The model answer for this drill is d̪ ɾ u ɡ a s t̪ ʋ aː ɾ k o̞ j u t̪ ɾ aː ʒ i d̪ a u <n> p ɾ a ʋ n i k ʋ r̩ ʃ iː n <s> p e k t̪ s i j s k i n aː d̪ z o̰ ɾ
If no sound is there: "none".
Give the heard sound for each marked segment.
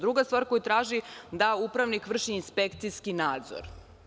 none, s

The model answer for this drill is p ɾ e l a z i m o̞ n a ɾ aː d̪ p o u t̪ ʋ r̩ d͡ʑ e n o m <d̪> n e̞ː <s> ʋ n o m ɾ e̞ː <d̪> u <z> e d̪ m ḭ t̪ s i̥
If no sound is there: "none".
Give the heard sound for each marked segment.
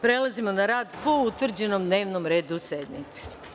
d̪, none, d̪, s

